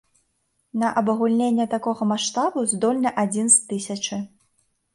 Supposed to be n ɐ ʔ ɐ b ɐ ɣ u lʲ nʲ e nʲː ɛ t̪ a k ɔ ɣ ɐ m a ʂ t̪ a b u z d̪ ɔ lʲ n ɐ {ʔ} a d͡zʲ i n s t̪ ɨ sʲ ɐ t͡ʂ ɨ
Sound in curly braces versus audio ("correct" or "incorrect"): correct